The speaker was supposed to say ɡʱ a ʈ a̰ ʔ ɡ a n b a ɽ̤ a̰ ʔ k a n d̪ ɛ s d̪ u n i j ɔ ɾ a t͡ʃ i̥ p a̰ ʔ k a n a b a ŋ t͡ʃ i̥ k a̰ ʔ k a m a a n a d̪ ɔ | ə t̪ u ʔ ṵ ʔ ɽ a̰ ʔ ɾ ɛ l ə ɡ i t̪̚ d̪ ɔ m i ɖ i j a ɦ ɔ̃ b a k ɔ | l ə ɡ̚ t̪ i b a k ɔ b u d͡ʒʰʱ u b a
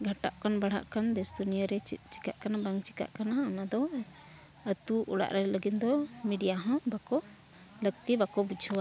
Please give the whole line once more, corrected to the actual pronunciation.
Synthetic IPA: ɡʱ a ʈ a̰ ʔ k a n b a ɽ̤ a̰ ʔ k a n d̪ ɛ s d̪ u n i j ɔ ɾ ɛ t͡ʃ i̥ k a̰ ʔ k a n a b a ŋ t͡ʃ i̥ k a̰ ʔ k a n a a n a d̪ ɔ | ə t̪ u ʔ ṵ ɽ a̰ ʔ ɾ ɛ l ə ɡ i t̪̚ d̪ ɔ m i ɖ i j a ɦ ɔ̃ b a k ɔ | l ə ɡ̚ t̪ i b a k ɔ b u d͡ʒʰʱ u w a